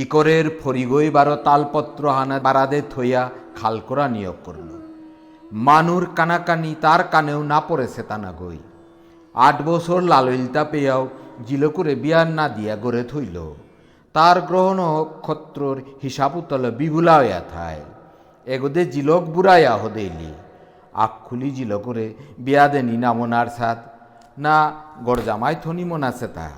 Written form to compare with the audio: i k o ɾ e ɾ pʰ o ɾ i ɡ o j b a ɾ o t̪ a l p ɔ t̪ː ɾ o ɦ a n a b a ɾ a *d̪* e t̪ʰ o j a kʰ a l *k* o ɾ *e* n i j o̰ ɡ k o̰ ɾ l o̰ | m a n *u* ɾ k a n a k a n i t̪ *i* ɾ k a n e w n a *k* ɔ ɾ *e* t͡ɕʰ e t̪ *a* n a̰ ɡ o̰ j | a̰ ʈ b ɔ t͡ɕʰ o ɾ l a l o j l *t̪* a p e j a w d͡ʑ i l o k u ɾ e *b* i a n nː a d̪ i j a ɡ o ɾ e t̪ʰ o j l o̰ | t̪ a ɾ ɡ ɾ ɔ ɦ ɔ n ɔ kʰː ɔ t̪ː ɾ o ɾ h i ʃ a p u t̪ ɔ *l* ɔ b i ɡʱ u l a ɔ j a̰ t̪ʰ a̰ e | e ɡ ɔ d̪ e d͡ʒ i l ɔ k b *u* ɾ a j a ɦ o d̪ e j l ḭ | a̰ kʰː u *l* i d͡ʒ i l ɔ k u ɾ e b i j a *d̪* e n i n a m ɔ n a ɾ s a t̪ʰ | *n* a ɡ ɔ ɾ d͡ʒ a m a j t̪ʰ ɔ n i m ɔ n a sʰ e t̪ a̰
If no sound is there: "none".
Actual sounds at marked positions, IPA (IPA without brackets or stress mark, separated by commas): d̪, k, a, u, a, p, e, a, t̪, b, l, u, l, d̪, n